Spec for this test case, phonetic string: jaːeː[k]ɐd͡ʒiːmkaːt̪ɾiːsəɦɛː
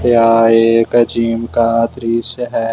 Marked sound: correct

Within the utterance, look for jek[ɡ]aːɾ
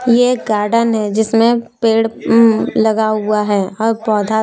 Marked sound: correct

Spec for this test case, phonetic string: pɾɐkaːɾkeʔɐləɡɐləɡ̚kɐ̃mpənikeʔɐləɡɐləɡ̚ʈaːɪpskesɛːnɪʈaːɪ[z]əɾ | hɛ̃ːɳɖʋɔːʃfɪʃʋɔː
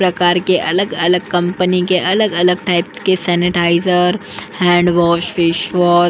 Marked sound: correct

